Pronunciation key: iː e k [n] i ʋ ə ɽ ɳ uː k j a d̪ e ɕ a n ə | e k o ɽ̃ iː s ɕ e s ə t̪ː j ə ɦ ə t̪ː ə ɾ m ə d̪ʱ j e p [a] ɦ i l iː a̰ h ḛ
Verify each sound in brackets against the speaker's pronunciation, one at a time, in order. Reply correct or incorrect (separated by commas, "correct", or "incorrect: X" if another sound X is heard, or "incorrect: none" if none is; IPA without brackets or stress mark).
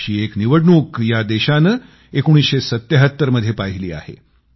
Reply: correct, correct